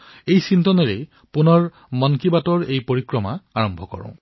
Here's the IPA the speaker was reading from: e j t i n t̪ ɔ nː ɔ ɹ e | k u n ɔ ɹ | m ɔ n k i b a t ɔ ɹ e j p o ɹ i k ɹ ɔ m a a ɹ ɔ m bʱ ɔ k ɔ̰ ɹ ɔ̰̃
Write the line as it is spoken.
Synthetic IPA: e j s i n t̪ ɔ n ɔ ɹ e | p u n ɔ ɹ | m ɔ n k i b a t ɔ ɹ e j p o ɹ i k ɹ ɔ m a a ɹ ɔ m bʱ ɔ k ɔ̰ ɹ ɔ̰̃